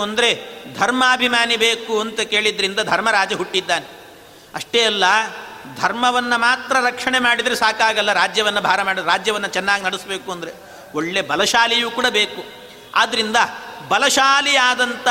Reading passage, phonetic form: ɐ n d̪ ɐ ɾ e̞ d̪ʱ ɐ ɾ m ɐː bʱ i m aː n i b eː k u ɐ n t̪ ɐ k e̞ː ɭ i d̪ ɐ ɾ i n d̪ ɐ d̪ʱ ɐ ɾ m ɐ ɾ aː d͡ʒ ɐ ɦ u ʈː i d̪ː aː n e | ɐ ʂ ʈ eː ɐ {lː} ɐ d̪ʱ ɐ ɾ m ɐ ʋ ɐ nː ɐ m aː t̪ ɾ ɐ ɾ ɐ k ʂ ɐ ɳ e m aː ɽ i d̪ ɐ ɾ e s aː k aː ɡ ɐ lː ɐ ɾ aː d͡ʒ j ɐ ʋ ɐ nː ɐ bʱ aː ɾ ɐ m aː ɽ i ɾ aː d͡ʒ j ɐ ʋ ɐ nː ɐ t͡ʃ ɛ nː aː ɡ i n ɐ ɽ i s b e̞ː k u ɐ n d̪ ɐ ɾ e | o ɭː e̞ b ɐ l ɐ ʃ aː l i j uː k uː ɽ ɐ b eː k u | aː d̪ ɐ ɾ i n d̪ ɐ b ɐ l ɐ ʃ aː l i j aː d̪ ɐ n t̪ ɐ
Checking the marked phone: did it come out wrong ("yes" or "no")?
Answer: no